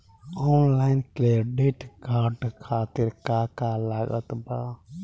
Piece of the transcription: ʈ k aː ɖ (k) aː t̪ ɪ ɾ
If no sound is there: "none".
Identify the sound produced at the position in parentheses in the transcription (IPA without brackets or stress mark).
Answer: kʰ